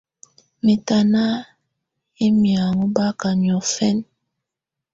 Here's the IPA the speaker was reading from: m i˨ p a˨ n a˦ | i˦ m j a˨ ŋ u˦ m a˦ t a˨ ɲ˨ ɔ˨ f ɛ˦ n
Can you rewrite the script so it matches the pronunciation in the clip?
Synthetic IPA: m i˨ t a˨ n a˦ | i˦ m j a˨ ŋ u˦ b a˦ k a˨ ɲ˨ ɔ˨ f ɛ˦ n

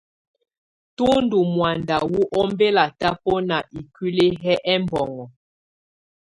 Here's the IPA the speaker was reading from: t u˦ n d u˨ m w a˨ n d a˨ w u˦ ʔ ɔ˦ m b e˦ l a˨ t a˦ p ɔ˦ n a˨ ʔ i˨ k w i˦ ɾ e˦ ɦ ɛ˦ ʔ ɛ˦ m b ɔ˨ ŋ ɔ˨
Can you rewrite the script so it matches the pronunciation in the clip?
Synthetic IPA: t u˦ n d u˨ m w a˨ n d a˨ w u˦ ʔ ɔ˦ m b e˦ l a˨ t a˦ p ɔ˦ n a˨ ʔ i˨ k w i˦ l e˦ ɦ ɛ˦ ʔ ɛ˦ m b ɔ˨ ŋ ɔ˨

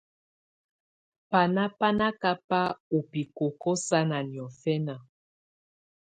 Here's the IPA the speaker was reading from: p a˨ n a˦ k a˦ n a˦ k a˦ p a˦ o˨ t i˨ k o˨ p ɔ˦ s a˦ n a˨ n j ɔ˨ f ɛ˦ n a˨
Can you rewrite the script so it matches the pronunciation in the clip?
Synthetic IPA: p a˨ n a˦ p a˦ n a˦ k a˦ p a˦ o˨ p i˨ k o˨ k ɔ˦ s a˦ n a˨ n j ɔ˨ f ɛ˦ n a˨

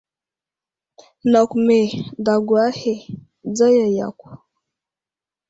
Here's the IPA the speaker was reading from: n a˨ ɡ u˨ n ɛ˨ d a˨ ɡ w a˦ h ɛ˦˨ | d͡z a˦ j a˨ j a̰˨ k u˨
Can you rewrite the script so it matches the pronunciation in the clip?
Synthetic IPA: n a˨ k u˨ m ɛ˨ d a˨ ɡ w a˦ h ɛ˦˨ | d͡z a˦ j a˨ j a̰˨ k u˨

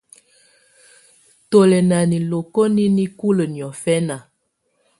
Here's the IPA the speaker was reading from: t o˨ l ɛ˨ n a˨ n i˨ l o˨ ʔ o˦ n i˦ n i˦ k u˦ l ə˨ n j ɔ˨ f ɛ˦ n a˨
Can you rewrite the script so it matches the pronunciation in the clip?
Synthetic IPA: t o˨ l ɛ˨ n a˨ n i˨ l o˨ k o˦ n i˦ n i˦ k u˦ l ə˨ n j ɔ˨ f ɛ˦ n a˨

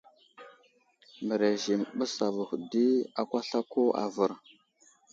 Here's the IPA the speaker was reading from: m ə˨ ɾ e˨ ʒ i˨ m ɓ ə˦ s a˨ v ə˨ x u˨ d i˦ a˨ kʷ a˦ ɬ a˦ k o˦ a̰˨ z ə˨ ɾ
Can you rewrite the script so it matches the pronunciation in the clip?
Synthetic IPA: m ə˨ ɾ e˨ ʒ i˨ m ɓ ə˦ s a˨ v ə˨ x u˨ d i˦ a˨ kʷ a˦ ɬ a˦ k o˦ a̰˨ v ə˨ ɾ

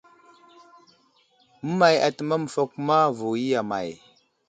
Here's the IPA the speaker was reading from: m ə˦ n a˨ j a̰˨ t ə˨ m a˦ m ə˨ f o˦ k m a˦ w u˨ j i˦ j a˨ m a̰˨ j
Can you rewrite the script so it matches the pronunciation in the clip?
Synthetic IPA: m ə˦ m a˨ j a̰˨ t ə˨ m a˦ m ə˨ f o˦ k m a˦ v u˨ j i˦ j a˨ m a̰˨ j

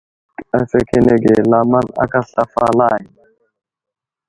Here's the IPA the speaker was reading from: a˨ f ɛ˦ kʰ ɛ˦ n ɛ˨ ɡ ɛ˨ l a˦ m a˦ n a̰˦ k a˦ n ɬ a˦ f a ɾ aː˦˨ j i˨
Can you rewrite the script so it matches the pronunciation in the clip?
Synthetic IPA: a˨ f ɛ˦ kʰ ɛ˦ n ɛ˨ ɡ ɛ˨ l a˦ m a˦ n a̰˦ k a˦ ɬ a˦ f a l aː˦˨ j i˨

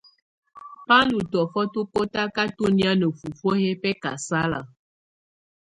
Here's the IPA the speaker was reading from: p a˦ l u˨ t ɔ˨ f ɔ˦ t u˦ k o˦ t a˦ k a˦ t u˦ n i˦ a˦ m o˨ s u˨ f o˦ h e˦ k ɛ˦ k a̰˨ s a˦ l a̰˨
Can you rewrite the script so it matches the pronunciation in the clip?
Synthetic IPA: p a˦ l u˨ t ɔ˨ f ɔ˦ t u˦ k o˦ t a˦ k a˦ t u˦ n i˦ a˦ n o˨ f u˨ f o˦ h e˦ p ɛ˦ k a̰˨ s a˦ l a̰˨

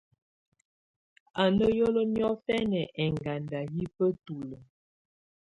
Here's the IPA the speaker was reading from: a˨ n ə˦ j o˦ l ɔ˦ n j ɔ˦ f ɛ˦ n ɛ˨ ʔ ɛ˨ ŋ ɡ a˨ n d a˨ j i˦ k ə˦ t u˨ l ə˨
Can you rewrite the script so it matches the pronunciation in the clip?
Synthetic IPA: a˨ n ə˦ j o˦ l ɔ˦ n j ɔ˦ f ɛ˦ n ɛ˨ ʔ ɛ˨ ŋ ɡ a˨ n d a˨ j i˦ p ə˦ t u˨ l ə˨

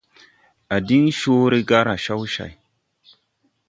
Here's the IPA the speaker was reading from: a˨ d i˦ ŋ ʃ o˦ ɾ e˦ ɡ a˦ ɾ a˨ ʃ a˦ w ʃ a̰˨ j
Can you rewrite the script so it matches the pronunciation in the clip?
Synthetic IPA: a˨ d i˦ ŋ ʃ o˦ ɾ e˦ ɡ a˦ ɾ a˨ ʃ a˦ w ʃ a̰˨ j

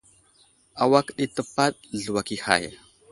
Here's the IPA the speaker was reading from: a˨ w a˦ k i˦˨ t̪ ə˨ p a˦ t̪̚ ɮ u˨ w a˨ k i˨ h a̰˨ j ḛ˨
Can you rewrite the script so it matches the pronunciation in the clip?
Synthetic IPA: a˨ w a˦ k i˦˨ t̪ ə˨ p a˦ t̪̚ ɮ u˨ w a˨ k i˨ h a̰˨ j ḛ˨

